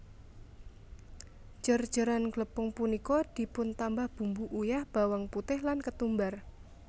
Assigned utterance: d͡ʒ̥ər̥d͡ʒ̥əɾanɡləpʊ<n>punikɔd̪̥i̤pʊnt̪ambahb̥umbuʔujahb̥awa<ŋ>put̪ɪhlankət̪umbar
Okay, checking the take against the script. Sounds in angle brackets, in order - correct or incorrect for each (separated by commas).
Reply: incorrect, correct